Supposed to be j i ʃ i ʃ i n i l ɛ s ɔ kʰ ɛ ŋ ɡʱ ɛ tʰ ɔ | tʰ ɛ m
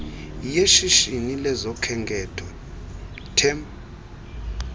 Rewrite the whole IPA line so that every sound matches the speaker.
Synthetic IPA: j e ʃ i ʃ i n i l ɛ z ɔ kʰ ɛ ŋ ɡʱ ɛ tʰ ɔ | tʰ ɛ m